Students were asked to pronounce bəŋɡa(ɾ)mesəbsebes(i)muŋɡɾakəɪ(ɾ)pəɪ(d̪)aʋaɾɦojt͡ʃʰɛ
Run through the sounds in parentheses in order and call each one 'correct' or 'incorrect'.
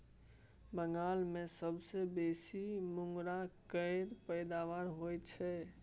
incorrect: l, correct, correct, correct

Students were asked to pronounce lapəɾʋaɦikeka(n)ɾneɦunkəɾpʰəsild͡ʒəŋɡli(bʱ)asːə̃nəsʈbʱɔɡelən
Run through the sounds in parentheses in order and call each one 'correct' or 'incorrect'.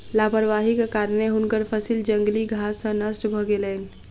incorrect: none, incorrect: ɡʱ

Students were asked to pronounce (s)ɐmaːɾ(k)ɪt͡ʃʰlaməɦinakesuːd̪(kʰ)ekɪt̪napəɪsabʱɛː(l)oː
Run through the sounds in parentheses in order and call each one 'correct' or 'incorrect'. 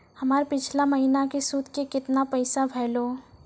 incorrect: h, incorrect: p, incorrect: k, correct

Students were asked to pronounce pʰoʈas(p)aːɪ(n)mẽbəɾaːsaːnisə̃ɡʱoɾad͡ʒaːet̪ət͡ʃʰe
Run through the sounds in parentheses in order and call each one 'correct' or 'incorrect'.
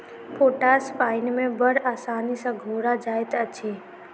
correct, correct

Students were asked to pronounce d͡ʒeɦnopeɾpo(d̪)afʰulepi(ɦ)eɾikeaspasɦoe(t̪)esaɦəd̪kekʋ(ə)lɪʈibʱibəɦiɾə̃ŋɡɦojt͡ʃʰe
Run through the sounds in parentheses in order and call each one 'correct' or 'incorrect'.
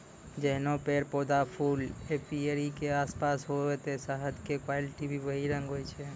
correct, incorrect: none, correct, incorrect: a

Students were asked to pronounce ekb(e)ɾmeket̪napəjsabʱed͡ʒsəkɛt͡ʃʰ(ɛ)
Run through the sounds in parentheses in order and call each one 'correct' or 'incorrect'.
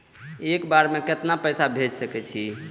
incorrect: a, incorrect: i

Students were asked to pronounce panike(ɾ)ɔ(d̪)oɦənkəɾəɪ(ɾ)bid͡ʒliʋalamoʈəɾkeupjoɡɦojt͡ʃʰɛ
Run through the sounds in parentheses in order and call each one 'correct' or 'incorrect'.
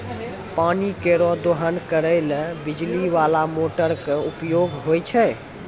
correct, correct, incorrect: l

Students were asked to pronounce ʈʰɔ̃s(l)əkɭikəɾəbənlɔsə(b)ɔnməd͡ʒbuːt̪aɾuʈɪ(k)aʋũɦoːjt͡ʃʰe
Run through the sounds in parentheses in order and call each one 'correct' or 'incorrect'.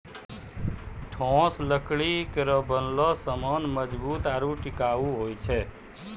correct, incorrect: m, correct

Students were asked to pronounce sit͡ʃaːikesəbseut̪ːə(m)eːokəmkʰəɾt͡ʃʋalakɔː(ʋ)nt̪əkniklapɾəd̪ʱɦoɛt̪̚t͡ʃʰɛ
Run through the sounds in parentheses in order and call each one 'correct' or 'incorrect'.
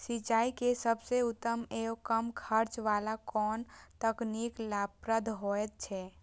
correct, incorrect: none

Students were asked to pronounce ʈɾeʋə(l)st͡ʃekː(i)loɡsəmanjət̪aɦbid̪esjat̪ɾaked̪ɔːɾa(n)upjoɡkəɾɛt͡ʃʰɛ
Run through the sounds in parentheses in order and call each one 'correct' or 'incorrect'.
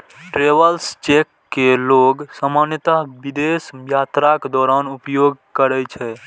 correct, incorrect: e, correct

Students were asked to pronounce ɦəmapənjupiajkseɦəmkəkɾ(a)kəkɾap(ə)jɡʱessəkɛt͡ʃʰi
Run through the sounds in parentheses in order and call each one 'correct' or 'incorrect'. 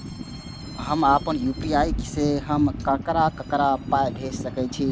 correct, incorrect: a

